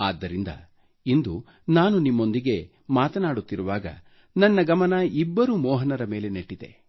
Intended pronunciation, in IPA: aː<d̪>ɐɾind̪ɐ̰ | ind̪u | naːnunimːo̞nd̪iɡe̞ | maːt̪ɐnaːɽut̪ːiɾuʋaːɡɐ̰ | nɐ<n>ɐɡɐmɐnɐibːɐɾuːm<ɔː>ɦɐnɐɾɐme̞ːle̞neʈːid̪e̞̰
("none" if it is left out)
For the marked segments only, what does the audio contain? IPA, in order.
d̪ː, nː, ɔː

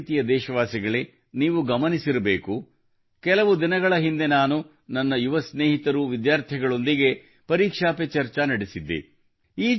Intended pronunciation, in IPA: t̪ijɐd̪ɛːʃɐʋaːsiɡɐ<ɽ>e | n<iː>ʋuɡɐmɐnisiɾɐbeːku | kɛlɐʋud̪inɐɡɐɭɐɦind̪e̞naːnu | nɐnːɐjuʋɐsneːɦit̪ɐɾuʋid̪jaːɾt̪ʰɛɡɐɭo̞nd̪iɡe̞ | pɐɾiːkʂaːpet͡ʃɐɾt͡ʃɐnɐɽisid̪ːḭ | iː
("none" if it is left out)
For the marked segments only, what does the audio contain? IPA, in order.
ɭ, iː

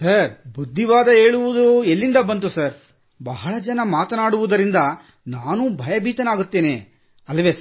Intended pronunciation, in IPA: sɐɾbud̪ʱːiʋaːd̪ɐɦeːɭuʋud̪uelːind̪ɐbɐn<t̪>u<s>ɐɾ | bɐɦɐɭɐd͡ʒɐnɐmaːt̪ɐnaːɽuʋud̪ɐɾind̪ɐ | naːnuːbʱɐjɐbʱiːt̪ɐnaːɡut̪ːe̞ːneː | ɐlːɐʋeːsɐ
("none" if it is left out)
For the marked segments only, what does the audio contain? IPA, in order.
t̪, s

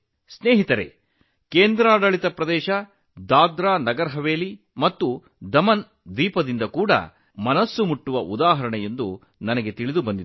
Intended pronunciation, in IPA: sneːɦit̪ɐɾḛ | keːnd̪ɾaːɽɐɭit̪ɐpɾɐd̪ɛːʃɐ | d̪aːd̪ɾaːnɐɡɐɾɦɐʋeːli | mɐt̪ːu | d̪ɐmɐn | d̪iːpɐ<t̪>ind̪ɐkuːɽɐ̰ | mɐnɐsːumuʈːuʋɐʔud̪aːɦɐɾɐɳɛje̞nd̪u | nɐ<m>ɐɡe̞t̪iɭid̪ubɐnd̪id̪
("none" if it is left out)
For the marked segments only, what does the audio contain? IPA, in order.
d̪, n

